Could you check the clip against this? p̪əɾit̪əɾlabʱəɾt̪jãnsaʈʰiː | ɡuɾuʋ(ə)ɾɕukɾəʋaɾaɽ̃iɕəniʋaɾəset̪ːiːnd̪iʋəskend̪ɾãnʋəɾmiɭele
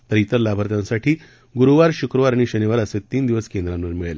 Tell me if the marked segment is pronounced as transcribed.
no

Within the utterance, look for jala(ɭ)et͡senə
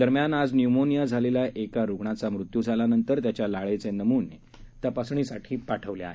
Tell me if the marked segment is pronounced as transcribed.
yes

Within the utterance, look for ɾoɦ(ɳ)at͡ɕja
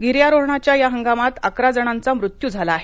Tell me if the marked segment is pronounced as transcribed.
yes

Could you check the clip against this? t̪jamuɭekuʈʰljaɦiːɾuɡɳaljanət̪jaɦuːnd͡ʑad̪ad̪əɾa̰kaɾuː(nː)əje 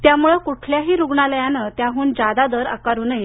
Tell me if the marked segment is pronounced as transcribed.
no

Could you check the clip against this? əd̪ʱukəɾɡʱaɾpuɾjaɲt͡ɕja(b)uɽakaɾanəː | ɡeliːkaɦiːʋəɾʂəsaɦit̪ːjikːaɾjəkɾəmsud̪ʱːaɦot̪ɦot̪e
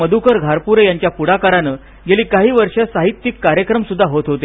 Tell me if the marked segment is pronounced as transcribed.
no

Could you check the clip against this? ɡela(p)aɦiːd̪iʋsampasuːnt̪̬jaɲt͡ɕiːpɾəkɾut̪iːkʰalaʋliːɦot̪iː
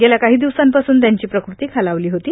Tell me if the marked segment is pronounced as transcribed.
no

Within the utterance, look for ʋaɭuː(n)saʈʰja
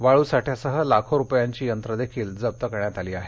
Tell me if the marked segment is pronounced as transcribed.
no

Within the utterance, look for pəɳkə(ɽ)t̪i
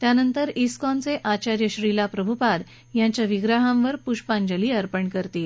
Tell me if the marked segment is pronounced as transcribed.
no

